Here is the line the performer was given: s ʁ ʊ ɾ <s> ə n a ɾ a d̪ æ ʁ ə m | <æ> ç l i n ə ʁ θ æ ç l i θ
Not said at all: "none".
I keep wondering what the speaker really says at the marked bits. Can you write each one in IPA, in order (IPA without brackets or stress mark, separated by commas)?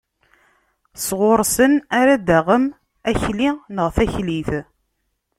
s, æ